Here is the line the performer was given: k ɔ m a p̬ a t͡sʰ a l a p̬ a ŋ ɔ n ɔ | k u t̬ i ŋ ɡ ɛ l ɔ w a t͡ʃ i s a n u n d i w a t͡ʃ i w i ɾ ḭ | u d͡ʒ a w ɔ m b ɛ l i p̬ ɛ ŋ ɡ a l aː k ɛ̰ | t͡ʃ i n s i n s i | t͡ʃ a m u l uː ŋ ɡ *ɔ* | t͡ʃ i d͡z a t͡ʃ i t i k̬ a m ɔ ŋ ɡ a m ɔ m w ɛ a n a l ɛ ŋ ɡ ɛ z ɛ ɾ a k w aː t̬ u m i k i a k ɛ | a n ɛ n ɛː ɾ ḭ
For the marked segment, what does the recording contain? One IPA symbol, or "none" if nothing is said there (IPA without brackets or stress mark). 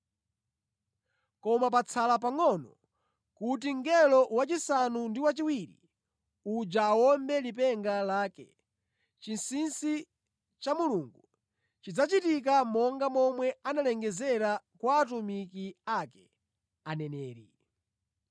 u